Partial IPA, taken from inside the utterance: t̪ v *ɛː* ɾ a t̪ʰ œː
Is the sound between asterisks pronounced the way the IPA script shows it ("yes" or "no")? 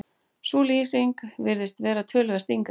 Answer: yes